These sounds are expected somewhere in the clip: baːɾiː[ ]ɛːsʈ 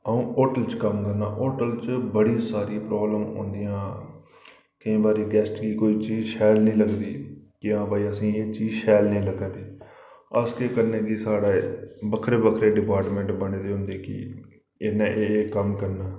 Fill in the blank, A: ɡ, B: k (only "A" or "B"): A